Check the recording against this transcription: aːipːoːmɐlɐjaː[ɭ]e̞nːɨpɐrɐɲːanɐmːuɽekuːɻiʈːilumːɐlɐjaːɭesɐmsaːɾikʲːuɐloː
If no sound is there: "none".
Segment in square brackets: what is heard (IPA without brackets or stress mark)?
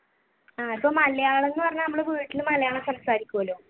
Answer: ɭ